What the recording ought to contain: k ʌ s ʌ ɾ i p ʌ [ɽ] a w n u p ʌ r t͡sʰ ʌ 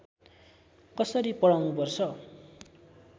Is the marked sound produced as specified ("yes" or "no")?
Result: yes